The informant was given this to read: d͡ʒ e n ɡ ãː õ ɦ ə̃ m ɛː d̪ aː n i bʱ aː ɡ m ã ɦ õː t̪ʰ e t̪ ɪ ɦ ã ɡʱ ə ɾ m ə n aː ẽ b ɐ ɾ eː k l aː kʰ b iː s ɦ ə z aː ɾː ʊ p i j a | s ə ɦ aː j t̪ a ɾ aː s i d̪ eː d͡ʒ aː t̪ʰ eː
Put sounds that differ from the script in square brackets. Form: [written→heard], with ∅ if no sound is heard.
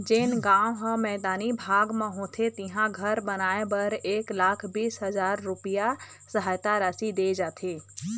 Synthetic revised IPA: d͡ʒ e n ɡ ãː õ ɦ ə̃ m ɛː d̪ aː n i bʱ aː ɡ m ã ɦ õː t̪ʰ e t̪ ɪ ɦ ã ɡʱ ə ɾ [m→b] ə n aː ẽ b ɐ ɾ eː k l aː kʰ b iː s ɦ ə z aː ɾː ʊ p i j a | s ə ɦ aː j t̪ a ɾ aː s i d̪ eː d͡ʒ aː t̪ʰ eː